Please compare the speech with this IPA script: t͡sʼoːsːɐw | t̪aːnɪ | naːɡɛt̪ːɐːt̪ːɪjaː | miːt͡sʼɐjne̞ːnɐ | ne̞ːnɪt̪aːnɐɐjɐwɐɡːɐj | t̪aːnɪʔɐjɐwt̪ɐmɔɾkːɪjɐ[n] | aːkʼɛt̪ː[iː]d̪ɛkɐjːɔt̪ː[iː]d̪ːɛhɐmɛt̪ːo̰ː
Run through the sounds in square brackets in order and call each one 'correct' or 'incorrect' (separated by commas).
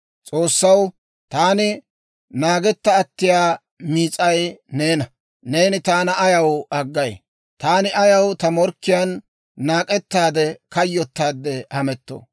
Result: incorrect, incorrect, incorrect